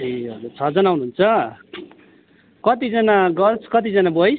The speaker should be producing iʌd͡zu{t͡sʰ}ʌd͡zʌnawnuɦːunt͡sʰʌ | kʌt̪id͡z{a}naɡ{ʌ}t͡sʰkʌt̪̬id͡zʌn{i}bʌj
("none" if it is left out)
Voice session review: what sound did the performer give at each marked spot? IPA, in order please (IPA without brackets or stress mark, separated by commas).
t͡sʰ, ʌ, ʌ, a